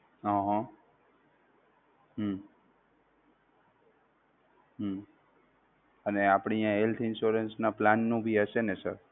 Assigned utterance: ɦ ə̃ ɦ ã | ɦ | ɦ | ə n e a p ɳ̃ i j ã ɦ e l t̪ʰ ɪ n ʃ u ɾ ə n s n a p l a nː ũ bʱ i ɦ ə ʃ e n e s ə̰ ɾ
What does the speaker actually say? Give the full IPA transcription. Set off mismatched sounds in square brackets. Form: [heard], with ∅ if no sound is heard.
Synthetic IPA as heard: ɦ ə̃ ɦ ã | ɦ | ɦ | ə n e a p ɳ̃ i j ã ɦ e l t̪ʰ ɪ n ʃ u ɾ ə n s n a p l a nː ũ bʱ i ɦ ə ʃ e n e s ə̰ ɾ